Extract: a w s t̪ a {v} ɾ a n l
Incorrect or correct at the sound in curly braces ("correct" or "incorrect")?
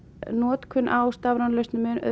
correct